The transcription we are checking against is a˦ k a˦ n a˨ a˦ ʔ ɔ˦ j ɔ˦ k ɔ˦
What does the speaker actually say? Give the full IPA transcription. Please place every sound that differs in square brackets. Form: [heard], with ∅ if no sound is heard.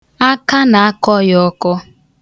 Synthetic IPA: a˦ k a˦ n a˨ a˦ [k] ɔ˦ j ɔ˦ k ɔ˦